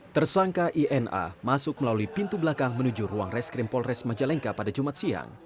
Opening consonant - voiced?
no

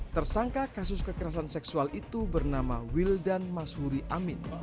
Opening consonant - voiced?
no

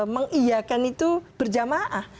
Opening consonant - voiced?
yes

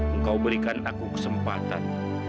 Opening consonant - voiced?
yes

